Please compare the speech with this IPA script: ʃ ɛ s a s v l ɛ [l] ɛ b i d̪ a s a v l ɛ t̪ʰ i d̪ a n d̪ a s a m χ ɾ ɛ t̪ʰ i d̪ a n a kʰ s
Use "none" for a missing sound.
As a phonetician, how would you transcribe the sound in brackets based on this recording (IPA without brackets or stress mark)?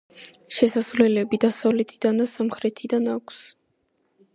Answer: l